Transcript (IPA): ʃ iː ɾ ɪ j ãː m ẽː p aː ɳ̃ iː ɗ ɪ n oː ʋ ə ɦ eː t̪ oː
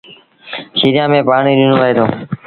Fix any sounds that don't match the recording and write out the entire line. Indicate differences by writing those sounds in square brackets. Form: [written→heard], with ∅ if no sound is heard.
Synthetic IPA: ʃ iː ɾ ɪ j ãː m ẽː p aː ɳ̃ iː ɗ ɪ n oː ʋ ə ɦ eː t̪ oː